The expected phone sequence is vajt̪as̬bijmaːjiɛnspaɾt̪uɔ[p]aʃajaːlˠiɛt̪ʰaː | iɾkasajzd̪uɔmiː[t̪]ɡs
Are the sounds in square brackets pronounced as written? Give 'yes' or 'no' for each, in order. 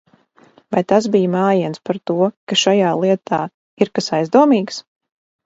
no, no

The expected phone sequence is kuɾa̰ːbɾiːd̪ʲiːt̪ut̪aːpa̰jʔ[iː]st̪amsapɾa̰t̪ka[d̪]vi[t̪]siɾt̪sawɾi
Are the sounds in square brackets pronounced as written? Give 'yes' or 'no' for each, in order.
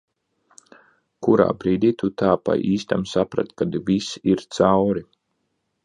yes, yes, no

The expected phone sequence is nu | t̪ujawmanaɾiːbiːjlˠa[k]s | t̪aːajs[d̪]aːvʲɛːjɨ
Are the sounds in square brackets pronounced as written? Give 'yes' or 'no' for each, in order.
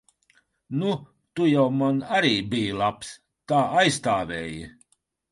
no, no

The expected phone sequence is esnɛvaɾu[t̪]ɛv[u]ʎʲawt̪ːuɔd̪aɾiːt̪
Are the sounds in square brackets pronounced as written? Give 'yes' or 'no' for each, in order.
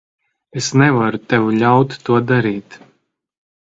yes, yes

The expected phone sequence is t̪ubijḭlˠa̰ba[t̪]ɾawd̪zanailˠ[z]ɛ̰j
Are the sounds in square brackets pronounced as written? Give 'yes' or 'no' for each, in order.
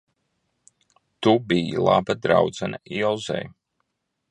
no, yes

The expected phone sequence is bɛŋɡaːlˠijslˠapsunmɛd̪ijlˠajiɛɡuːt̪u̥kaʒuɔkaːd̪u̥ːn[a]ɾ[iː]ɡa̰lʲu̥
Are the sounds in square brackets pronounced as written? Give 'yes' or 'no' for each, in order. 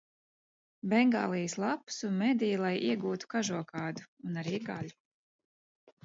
yes, yes

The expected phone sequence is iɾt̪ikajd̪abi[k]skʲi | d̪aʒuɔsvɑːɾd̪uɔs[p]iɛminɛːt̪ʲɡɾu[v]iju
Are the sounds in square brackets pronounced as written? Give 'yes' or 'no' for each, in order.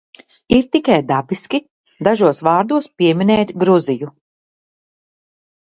no, yes, no

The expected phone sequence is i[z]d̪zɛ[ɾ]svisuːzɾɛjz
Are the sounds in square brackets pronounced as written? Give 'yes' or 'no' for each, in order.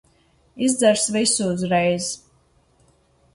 yes, yes

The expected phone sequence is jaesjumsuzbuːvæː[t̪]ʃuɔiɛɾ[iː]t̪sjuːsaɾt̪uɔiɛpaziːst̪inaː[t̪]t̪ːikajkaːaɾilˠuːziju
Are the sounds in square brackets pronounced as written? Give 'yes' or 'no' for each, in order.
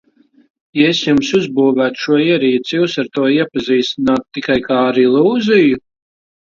yes, yes, yes

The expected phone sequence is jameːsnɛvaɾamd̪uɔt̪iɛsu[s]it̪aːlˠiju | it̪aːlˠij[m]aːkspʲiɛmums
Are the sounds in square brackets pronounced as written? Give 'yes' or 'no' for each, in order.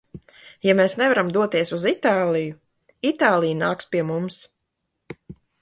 no, no

